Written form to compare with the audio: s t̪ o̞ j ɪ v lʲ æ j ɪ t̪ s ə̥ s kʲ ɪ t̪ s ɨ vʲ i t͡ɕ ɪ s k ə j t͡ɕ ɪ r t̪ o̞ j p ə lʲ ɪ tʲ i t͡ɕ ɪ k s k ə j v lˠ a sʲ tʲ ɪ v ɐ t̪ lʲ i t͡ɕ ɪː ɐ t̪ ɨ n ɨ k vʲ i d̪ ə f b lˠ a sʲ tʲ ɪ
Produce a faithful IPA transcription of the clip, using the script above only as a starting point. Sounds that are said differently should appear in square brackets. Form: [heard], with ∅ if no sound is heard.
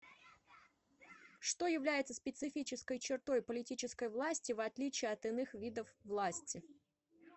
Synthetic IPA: [ʂ] t̪ o̞ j ɪ v lʲ æ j ɪ t̪ s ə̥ s [pʲ] ɪ t̪ s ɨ [fʲ] i t͡ɕ ɪ s k ə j t͡ɕ ɪ r t̪ o̞ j p ə lʲ ɪ tʲ i t͡ɕ ɪ [∅] s k ə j v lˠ a sʲ tʲ ɪ v ɐ t̪ lʲ i t͡ɕ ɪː ɐ t̪ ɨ n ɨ [x] vʲ i d̪ ə f [v] lˠ a sʲ tʲ ɪ